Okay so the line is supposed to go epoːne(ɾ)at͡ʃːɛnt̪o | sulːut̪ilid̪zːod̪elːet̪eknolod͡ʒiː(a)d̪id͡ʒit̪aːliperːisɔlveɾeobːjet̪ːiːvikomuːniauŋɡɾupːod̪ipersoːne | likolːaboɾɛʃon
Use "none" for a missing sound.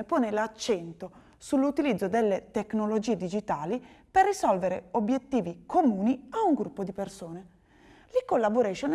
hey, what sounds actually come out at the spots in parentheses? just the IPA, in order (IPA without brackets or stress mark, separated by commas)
l, e